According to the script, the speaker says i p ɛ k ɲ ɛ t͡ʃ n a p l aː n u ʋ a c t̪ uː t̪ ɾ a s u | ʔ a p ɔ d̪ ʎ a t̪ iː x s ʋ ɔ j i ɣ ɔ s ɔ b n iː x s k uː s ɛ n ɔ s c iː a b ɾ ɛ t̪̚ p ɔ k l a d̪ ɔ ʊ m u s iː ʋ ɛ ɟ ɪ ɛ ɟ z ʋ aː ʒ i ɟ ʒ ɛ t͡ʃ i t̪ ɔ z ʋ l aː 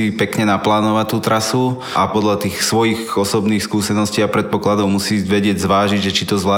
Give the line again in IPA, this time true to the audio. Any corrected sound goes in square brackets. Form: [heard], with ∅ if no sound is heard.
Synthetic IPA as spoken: i p ɛ k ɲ ɛ [∅] n a p l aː n [ɔ] ʋ a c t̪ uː t̪ ɾ a s u | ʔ a p ɔ d̪ ʎ a t̪ iː x s ʋ ɔ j i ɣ ɔ s ɔ b n iː x s k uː s ɛ n ɔ s c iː a [p] ɾ ɛ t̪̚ p ɔ k l a d̪ ɔ ʊ m u s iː ʋ ɛ ɟ ɪ ɛ ɟ z ʋ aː ʒ i ɟ ʒ ɛ t͡ʃ i t̪ ɔ z ʋ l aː